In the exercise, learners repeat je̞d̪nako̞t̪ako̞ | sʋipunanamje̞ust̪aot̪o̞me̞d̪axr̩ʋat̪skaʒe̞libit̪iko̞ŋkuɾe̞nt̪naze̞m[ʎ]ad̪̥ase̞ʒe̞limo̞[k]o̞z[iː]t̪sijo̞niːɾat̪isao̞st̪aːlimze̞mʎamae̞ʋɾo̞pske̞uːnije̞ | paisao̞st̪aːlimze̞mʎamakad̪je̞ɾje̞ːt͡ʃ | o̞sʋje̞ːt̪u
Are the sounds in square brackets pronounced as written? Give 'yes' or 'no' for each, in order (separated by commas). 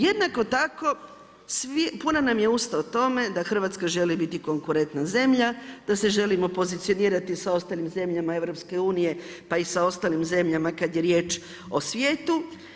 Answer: yes, no, no